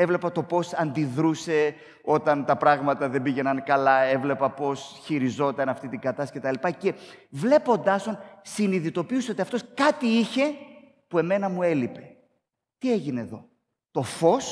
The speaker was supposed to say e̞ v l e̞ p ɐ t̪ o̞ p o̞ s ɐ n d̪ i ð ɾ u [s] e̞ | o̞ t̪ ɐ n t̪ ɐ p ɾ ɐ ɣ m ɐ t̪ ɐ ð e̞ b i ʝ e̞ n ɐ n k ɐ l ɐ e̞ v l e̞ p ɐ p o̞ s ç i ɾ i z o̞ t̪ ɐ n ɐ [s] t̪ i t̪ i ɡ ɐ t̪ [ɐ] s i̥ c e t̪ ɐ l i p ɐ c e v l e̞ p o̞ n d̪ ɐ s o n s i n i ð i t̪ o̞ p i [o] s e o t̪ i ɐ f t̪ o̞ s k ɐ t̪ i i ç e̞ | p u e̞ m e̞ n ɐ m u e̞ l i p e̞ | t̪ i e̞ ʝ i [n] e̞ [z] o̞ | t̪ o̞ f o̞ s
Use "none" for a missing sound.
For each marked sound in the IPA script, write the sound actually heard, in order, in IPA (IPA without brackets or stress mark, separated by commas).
s, f, ɐ, u, n, ð